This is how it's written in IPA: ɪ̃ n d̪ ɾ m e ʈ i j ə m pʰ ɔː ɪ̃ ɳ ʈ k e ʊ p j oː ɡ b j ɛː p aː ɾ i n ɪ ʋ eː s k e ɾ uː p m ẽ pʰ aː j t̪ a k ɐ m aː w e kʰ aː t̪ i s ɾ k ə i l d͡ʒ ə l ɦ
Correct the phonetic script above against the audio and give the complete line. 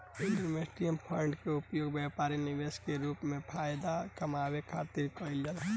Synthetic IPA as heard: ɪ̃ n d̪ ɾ m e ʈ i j ə m pʰ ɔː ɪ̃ ɳ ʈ k e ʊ p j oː ɡ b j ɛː p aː ɾ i n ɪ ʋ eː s k e ɾ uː p m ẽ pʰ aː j d̪ a k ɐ m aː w e kʰ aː t̪ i ɾ k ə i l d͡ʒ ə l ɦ